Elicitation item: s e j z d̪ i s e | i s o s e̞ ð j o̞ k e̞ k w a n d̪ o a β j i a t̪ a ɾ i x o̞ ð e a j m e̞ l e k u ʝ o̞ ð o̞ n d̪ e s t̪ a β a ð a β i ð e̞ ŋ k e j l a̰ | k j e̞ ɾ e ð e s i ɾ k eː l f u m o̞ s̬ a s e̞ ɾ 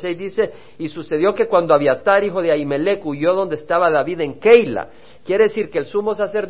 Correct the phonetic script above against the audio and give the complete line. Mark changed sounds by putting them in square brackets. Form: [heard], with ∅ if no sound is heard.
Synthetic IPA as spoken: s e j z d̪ i s e | i s [u] s e̞ ð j o̞ k e̞ k w a n d̪ o a β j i a t̪ a ɾ i x o̞ ð e a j m e̞ l e k u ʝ o̞ ð o̞ n d̪ e s t̪ a β a ð a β i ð e̞ ŋ k e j l a̰ | k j e̞ ɾ e ð e s i ɾ k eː l [s] u m o̞ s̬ a s e̞ ɾ